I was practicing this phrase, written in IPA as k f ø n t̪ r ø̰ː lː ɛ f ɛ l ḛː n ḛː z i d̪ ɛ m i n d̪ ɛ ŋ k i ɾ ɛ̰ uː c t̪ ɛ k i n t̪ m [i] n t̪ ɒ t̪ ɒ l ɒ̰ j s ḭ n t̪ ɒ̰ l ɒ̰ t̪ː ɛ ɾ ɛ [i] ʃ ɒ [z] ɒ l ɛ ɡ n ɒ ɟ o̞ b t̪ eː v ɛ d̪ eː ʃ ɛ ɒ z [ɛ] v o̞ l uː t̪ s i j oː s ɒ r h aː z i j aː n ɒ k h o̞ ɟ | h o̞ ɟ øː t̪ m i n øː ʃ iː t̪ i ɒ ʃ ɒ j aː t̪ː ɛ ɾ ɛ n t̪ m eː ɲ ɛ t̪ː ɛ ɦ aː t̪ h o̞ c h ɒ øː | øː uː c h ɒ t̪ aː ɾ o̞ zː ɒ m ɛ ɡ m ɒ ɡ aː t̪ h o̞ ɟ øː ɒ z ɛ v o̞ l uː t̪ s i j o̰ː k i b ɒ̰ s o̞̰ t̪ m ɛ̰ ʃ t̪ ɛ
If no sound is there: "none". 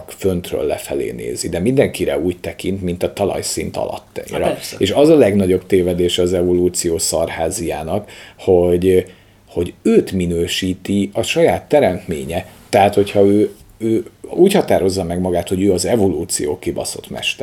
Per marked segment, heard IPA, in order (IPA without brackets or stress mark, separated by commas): i, e, z, ɛ